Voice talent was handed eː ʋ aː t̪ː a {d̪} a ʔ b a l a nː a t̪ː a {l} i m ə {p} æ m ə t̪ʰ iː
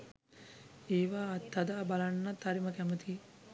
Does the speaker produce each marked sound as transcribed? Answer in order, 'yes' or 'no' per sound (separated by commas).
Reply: yes, no, no